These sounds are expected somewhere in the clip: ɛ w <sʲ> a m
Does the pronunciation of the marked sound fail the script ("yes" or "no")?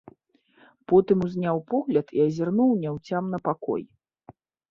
yes